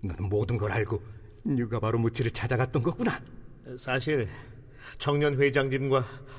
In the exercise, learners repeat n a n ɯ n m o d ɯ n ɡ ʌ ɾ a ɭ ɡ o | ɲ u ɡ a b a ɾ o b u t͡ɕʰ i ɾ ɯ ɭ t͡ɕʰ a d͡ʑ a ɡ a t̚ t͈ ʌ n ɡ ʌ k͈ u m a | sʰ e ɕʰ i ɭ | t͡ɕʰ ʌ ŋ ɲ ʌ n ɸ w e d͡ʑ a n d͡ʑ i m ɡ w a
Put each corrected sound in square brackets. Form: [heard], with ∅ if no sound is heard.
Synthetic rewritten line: n [ʌ] n ɯ n m o d ɯ n ɡ ʌ ɾ a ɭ ɡ o | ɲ u ɡ a b a ɾ o [m] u t͡ɕʰ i ɾ ɯ ɭ t͡ɕʰ a d͡ʑ a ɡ a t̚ t͈ ʌ n ɡ ʌ k͈ u [n] a | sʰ [a] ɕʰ i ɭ | t͡ɕʰ ʌ ŋ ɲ ʌ n ɸ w e d͡ʑ a [ŋ] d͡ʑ i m ɡ w a